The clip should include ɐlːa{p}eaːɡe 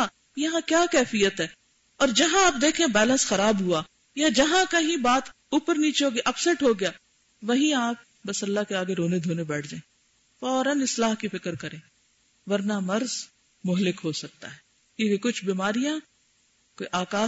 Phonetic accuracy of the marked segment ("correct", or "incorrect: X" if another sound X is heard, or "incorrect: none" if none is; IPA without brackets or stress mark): incorrect: k